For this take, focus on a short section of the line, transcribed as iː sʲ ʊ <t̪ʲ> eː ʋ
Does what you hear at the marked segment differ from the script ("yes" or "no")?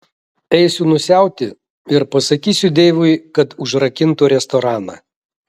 yes